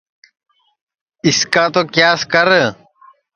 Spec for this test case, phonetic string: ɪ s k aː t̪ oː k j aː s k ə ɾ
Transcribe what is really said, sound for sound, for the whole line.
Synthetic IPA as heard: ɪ s k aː t̪ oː k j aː s k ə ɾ